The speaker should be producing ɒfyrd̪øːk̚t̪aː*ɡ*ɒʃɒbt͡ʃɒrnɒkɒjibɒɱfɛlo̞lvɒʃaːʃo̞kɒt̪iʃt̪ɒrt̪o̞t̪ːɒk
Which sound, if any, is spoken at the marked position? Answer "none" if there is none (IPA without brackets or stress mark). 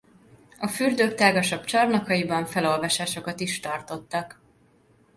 ɡ